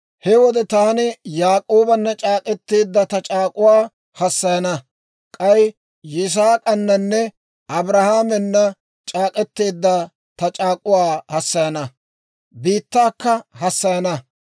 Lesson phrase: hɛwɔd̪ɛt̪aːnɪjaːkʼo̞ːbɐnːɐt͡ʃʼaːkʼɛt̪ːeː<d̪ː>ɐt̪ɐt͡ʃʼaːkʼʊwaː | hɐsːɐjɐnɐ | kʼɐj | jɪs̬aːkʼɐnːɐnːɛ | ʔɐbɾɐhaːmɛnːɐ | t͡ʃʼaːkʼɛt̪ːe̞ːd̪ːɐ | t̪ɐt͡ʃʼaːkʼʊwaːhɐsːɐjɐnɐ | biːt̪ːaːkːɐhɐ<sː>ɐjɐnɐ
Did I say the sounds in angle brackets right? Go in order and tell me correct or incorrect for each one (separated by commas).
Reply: correct, correct